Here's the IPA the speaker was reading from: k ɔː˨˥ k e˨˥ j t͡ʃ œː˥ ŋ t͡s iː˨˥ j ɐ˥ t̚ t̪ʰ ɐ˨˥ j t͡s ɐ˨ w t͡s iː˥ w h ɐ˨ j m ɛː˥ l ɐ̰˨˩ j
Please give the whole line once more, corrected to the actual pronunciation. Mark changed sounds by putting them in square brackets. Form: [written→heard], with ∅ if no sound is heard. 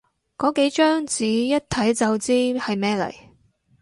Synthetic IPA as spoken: k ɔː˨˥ k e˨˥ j t͡ʃ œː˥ ŋ t͡s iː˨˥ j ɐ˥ t̚ t̪ʰ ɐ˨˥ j t͡s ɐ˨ w t͡s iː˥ [w→∅] h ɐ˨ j m ɛː˥ l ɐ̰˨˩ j